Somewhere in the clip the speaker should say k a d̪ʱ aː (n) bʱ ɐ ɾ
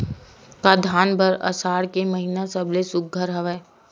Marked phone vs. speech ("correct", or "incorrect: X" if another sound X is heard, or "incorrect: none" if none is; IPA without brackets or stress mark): correct